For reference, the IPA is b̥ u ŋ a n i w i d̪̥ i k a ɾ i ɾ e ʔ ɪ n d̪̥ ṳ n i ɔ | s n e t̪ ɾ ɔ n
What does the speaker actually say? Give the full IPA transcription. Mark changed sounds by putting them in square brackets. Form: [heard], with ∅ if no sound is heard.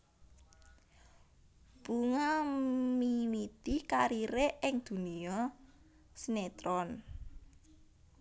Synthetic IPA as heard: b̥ u ŋ a [m] i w i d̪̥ i k a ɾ i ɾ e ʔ ɪ [ŋ] d̪̥ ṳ n i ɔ | s n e t̪ ɾ ɔ n